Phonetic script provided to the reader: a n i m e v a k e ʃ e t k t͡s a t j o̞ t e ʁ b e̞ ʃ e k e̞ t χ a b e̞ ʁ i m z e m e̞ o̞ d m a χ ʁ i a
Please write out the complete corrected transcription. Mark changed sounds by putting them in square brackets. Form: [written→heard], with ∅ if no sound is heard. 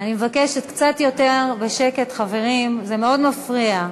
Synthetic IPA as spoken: a n i m e v a k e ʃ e t k t͡s a t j o̞ t e ʁ b e̞ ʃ e k e̞ t χ a [b→v] e̞ ʁ i m z e m e̞ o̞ d m a [χ→f] ʁ i a